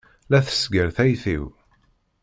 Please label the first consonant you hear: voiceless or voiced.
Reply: voiced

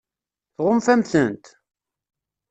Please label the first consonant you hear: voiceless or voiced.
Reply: voiceless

